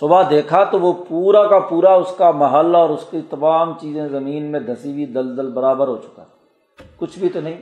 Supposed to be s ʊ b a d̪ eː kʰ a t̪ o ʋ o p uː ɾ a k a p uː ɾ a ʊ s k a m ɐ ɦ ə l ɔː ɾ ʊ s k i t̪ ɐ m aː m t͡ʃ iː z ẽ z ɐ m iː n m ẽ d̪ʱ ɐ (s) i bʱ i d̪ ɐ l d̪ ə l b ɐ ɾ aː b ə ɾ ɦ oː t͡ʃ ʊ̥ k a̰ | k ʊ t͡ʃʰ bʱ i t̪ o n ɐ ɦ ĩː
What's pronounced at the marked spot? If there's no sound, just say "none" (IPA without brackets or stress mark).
s